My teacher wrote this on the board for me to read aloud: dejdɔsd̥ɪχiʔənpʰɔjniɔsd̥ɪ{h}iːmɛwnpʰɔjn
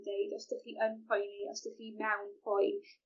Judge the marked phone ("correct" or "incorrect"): incorrect